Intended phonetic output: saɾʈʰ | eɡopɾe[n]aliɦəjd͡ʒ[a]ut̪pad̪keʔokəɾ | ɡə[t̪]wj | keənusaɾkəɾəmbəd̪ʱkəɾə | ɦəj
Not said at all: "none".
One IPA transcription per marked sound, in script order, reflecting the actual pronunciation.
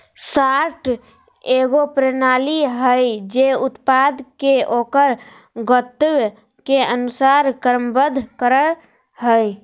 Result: n, e, t̪

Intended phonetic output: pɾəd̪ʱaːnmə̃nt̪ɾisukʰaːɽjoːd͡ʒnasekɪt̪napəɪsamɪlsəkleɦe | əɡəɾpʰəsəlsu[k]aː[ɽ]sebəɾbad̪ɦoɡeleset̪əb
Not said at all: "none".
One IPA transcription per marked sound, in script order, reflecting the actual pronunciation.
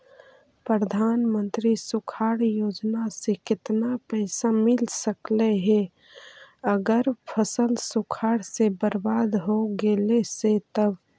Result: kʰ, ɽ

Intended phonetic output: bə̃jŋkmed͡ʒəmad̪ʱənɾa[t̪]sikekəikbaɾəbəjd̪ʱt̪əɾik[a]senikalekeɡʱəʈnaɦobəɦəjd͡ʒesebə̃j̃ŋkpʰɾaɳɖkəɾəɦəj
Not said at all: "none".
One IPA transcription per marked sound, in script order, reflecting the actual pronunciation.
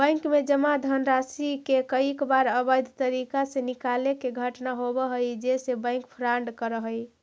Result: none, a

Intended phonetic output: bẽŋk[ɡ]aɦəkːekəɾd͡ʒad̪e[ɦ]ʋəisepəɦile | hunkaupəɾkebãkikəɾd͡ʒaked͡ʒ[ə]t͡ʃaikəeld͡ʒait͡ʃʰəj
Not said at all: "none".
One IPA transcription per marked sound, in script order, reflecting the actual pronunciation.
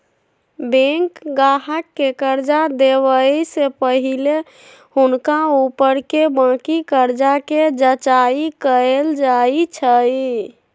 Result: ɡ, none, ə

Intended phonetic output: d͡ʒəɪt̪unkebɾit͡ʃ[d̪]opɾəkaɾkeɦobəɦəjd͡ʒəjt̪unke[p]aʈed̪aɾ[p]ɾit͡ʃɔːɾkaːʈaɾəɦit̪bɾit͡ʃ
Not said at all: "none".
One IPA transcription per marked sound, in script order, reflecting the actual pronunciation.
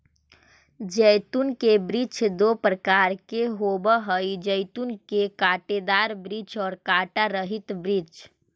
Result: d̪, k, b

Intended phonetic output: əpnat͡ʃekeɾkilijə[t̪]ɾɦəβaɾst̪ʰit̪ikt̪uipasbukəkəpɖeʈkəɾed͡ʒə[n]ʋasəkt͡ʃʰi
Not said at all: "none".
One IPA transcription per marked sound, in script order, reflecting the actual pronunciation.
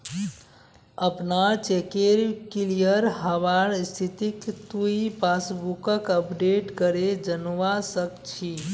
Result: none, n

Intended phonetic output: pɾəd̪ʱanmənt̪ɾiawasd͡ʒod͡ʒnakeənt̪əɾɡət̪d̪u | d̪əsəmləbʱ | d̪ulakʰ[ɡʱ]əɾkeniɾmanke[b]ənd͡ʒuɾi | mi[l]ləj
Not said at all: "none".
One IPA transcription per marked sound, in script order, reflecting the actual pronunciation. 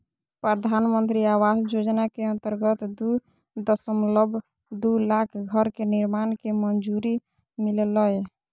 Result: ɡʱ, m, l

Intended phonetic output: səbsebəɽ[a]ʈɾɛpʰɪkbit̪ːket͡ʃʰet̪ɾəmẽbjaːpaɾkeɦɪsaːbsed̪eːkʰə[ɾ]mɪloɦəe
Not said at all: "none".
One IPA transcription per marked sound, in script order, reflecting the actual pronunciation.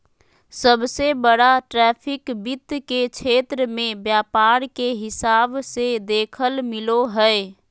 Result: a, l

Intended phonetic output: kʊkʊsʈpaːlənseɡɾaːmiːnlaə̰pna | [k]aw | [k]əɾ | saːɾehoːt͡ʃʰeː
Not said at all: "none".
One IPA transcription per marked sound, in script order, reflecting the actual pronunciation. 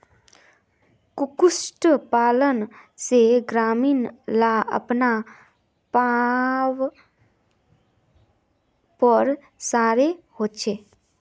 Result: p, p

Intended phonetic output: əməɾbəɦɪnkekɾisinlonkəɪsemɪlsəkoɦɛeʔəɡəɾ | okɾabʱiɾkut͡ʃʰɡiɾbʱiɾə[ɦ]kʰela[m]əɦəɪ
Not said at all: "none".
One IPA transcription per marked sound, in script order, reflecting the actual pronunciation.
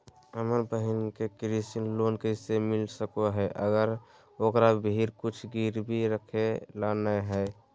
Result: none, n

